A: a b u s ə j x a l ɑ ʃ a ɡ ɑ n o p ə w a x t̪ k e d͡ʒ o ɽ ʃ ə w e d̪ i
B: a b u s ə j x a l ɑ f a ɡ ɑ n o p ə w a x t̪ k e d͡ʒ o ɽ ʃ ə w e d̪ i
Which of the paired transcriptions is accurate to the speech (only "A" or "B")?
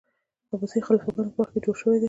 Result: B